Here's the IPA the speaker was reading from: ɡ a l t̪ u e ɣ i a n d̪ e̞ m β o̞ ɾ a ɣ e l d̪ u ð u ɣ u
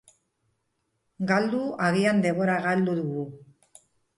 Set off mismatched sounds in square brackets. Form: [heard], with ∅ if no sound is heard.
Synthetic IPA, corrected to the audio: ɡ a l [d̪] u [a] ɣ i a n d̪ e̞ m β o̞ ɾ a ɣ [a] l d̪ u ð u ɣ u